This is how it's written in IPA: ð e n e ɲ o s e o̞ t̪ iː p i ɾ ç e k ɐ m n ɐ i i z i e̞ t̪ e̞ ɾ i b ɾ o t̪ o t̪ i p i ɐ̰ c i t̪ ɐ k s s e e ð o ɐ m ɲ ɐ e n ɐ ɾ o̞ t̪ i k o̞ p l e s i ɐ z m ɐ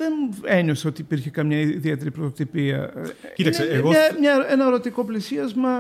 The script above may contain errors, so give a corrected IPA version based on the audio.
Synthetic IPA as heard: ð e n e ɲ o s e o̞ t̪ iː p i ɾ ç e k ɐ m ɲ ɐ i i ð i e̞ t̪ e̞ ɾ i p ɾ o t̪ o t̪ i p i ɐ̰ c i t̪ ɐ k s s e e ɣ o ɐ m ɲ ɐ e n ɐ ɾ o̞ t̪ i k o̞ p l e s i ɐ z m ɐ